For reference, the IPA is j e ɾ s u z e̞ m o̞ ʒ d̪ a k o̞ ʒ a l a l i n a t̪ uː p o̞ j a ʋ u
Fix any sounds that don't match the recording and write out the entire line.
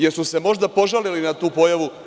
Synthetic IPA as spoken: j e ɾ s u s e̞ m o̞ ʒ d̪ a p o̞ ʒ a l i l i n a t̪ uː p o̞ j a ʋ u